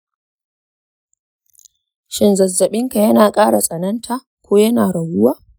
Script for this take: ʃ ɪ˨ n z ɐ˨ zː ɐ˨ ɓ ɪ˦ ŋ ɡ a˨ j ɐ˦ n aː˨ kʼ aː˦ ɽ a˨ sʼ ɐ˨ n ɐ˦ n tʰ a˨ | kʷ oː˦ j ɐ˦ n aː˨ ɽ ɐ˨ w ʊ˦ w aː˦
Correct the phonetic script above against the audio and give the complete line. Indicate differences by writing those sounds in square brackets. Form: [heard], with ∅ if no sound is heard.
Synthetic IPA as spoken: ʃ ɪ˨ n z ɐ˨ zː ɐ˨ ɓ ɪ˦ ŋ [k] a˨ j ɐ˦ n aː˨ kʼ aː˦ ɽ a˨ sʼ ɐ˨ n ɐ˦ n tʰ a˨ | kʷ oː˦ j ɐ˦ n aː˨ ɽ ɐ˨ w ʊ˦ w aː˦